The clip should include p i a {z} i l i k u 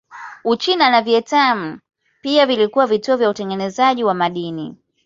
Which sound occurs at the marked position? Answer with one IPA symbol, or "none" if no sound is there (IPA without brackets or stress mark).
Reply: v